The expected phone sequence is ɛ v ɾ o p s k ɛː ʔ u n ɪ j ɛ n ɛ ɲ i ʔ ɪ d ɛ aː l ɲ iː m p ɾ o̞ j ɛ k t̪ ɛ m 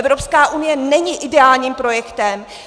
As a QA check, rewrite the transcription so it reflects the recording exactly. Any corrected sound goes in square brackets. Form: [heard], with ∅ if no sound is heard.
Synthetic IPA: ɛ v ɾ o p s k [aː] ʔ u n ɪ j ɛ n ɛ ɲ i ʔ ɪ d ɛ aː l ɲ iː m p ɾ o̞ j ɛ k t̪ ɛ m

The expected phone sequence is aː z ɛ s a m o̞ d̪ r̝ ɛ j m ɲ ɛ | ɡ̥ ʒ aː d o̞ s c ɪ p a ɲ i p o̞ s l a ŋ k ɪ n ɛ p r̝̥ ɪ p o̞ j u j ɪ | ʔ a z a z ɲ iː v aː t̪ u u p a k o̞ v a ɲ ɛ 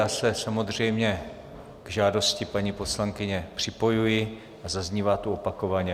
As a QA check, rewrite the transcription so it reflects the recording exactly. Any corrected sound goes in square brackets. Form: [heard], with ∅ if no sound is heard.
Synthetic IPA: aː [s] ɛ s a m o̞ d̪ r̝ ɛ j m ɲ ɛ | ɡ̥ ʒ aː d o̞ s c ɪ p a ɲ i p o̞ s l a ŋ k ɪ [ɲ] ɛ p r̝̥ ɪ p o̞ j u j ɪ | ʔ a z a z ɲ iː v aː t̪ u [o] p a k o̞ v a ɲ ɛ

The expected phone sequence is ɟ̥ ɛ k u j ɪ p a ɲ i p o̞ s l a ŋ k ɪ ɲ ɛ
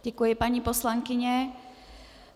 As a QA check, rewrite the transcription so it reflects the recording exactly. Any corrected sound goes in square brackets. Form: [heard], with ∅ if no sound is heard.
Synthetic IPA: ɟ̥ ɛ k u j ɪ p a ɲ i p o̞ s l a ŋ k ɪ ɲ ɛ

